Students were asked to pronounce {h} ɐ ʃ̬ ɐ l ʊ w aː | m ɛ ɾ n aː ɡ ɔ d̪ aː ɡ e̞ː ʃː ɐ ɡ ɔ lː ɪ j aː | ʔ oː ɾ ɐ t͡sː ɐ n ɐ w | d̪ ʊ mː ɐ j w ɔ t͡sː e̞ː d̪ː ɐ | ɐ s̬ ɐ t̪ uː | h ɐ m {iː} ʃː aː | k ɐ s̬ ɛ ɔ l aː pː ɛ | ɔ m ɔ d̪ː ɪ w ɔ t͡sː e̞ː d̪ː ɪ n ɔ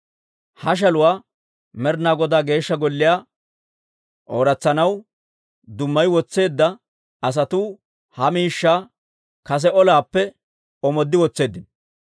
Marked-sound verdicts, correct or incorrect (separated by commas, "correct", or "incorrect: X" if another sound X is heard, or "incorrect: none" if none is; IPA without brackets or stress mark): correct, correct